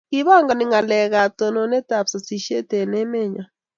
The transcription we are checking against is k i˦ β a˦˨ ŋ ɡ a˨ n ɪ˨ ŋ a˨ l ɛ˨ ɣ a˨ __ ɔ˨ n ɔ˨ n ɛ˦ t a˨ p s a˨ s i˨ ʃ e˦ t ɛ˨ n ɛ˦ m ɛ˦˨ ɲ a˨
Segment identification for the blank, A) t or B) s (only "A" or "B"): A